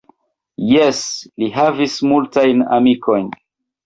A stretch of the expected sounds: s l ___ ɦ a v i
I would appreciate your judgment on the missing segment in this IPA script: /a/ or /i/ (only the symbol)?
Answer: i